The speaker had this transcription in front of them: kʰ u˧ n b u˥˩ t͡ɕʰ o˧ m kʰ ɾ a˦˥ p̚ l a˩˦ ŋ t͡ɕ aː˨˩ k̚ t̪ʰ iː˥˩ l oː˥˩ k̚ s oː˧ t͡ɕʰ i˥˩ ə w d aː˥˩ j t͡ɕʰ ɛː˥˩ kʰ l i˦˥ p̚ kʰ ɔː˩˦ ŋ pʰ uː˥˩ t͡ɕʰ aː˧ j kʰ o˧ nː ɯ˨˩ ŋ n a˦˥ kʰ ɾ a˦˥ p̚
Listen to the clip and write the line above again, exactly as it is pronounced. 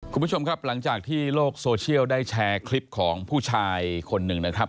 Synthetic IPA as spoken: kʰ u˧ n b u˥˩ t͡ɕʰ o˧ m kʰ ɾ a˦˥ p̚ l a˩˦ ŋ t͡ɕ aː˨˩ k̚ t̪ʰ iː˥˩ l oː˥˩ k̚ s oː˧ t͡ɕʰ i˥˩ ə w d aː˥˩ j t͡ɕʰ ɛː˧ kʰ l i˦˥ p̚ kʰ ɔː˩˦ ŋ pʰ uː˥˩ t͡ɕʰ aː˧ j kʰ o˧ nː ɯ˨˩ ŋ n a˦˥ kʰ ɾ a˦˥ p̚